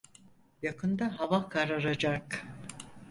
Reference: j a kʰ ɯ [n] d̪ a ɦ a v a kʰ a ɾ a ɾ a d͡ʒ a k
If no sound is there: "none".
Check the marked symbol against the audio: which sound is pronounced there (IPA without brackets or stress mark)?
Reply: n